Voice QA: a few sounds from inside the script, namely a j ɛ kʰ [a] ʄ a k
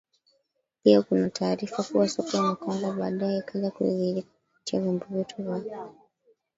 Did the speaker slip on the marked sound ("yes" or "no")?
no